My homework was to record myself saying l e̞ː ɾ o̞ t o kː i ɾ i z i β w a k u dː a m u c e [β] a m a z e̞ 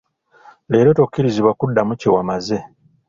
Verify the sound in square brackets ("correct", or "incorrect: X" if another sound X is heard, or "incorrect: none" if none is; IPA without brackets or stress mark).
incorrect: w